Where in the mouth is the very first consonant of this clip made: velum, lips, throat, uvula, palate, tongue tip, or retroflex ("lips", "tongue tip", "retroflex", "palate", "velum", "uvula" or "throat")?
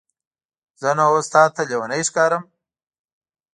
tongue tip